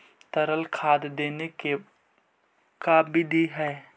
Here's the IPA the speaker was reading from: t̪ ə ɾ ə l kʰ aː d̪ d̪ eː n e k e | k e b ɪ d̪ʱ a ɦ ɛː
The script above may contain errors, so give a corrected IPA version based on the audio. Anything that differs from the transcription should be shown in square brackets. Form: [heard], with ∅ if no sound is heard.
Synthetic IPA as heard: t̪ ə ɾ ə l kʰ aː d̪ d̪ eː n e k e | k [a] b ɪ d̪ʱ [i] ɦ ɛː